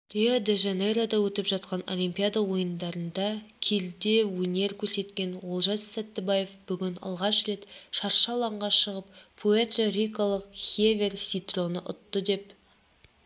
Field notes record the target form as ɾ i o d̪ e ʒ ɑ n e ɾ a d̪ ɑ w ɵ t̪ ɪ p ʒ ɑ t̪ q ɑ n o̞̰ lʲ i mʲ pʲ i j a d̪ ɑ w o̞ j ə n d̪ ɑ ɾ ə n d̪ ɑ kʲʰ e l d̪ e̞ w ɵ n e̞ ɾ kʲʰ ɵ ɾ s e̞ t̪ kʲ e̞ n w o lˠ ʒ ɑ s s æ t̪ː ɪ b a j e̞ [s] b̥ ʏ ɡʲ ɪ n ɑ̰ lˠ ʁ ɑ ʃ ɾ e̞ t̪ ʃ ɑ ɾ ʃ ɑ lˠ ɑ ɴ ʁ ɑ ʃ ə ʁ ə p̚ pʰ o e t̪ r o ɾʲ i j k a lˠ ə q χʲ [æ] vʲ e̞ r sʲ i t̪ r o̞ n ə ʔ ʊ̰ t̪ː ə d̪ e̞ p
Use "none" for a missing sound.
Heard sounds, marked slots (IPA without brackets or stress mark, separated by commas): f, e